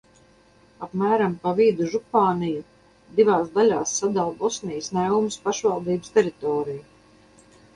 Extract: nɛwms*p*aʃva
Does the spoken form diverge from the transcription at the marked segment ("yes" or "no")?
no